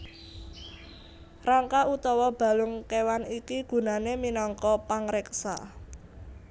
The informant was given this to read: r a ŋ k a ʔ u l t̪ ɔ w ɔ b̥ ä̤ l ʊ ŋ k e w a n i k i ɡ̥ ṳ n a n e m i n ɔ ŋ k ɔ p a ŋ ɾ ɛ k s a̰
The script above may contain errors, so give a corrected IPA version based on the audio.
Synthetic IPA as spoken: r a ŋ k a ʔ u t̪ ɔ w ɔ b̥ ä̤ l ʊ ŋ k e w a n i k i ɡ̥ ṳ n a n e m i n ɔ ŋ k ɔ p a ŋ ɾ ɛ k s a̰